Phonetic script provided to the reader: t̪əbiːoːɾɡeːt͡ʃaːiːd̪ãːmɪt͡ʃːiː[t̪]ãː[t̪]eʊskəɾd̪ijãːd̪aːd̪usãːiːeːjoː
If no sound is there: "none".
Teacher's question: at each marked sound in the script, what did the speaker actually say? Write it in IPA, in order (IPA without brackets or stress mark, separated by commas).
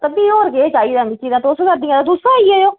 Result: d̪, t̪